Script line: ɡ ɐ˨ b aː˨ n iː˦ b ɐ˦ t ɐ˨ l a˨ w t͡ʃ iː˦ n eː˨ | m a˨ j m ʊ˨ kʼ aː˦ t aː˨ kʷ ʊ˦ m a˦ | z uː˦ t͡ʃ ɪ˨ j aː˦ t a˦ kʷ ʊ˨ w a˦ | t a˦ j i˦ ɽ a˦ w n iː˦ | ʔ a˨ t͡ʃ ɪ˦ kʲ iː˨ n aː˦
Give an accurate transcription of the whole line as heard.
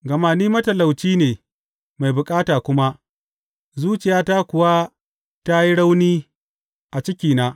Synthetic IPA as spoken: ɡ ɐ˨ m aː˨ n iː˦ m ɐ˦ t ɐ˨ l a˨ w t͡ʃ iː˦ n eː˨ | m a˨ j b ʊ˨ kʼ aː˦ t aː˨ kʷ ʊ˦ m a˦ | z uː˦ t͡ʃ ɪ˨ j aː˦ t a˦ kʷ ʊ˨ w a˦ | t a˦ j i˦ ɽ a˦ w n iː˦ | ʔ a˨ t͡ʃ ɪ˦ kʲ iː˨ n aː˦